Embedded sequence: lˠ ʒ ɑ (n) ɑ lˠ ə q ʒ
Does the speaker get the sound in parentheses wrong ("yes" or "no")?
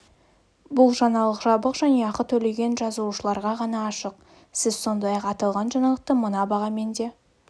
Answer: no